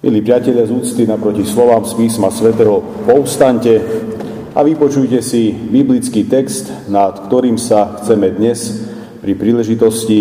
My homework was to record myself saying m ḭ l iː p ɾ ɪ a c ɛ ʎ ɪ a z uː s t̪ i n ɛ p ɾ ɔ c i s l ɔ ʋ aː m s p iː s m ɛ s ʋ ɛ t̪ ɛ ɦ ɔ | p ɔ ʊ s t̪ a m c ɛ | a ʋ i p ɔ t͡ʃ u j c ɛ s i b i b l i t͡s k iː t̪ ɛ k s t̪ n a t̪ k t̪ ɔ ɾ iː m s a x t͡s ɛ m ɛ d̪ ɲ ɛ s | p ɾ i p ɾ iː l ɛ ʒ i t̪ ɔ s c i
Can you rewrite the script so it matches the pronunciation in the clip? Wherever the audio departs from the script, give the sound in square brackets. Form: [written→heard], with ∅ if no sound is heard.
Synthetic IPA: m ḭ l iː p ɾ ɪ a c ɛ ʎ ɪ a z uː [s→t͡s] t̪ i n [ɛ→a] p ɾ ɔ c i s l ɔ ʋ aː m s p iː s m [ɛ→a] s ʋ ɛ t̪ ɛ ɦ ɔ | p ɔ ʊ s t̪ a [m→ɲ] c ɛ | a ʋ i p ɔ t͡ʃ u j c ɛ s i b i b l i t͡s k iː t̪ ɛ k s t̪ n a t̪ k t̪ ɔ ɾ iː m s a x t͡s ɛ m ɛ d̪ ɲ ɛ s | p ɾ i p ɾ iː l ɛ ʒ i t̪ ɔ s c i